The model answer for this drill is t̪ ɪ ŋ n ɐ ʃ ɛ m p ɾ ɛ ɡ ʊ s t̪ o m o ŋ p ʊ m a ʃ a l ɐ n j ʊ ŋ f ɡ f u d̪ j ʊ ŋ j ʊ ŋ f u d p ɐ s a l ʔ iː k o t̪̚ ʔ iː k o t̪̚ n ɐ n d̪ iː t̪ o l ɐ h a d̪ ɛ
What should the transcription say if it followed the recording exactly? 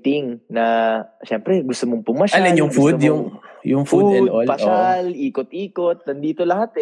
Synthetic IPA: t̪ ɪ ŋ n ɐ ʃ ɛ m p ɾ ɛ ɡ ʊ s t̪ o m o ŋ p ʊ m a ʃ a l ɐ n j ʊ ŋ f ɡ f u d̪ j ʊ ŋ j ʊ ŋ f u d p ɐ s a l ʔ iː k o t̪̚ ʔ iː k o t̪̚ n ɐ n d̪ iː t̪ o l ɐ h a t̪ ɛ